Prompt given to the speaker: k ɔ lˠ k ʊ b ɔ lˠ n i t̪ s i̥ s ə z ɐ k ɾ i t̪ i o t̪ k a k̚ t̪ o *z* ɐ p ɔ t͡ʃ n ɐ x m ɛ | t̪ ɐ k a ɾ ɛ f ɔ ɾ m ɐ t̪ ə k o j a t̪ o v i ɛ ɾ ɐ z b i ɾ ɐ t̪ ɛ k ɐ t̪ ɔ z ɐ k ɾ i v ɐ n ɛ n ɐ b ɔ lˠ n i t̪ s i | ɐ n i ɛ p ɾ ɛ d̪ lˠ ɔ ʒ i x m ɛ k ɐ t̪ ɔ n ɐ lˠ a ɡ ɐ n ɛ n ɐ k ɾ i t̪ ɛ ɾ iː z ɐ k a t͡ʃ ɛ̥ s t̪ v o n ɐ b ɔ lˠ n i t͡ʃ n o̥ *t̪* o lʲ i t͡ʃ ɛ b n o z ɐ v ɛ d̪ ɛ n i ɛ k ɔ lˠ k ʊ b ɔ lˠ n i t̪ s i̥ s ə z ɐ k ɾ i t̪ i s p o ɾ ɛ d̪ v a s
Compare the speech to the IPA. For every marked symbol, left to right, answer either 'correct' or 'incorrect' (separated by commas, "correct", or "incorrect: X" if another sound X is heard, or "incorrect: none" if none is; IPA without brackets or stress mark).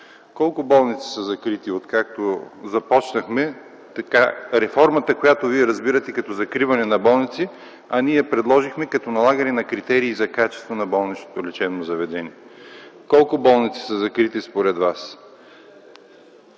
correct, correct